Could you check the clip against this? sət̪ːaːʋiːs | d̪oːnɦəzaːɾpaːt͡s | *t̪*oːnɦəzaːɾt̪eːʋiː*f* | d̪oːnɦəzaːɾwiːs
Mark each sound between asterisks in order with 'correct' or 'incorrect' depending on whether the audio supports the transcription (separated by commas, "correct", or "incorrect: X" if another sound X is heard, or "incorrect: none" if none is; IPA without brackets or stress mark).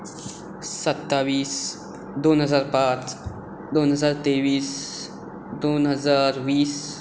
incorrect: d̪, incorrect: s